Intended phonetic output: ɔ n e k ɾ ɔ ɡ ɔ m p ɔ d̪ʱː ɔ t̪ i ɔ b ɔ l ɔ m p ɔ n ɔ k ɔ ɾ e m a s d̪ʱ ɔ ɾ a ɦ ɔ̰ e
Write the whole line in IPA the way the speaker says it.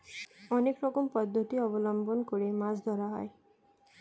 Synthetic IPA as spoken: ɔ n e k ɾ ɔ k ɔ m p ɔ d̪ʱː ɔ t̪ i ɔ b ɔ l ɔ m b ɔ n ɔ k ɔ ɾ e m a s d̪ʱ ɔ ɾ a ɦ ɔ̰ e